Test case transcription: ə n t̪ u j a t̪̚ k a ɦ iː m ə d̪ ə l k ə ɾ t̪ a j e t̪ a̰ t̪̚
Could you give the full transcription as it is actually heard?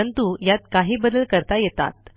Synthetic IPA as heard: ə n t̪ u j a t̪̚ k a ɦ iː b ə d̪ ə l k ə ɾ t̪ a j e t̪ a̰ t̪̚